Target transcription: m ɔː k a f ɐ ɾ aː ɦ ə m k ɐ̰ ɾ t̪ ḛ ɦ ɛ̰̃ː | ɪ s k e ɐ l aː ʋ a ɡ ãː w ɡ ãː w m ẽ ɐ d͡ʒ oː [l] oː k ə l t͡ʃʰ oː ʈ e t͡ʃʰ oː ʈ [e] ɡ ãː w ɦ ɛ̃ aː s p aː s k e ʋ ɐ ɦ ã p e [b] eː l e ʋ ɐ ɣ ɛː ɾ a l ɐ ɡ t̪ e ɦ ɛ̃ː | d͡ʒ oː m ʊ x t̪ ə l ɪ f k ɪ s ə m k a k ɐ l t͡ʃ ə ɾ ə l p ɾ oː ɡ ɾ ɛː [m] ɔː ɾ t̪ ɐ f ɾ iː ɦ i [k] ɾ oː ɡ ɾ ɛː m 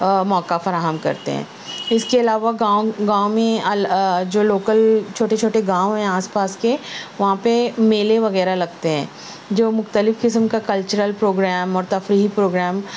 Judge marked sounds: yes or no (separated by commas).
yes, yes, no, yes, no